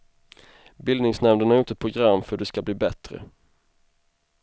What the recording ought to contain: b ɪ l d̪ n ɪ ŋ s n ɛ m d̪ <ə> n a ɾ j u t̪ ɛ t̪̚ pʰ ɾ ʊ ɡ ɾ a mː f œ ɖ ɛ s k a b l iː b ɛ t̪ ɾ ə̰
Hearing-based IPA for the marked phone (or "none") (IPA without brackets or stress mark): ə